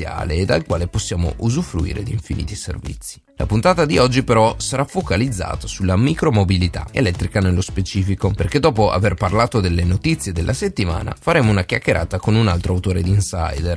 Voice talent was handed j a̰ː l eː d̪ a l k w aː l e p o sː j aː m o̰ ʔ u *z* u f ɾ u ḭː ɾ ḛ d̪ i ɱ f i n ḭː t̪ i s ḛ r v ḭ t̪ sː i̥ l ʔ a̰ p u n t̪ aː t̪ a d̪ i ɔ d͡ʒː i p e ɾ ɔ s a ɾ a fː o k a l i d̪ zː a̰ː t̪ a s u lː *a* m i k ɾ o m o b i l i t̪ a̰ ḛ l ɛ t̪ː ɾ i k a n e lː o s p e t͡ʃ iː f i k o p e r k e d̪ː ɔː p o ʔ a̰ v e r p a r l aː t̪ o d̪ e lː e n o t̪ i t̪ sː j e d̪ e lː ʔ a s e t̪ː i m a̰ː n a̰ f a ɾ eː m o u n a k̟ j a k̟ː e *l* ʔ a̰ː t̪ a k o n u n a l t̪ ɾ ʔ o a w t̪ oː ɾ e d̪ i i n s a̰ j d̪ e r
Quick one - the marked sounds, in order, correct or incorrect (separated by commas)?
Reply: correct, correct, incorrect